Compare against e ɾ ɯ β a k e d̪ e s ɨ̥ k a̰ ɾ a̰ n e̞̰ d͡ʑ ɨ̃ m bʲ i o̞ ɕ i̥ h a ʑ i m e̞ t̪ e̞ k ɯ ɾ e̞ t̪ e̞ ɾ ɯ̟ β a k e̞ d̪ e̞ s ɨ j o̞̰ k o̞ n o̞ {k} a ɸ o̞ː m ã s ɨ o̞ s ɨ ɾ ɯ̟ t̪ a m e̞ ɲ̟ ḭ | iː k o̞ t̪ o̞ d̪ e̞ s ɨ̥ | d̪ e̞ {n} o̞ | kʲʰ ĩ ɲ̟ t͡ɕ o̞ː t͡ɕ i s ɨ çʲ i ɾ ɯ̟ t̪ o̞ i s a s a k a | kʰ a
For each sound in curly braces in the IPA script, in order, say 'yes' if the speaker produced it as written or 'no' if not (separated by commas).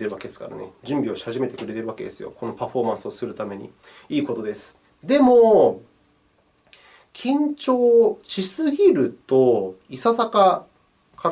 no, no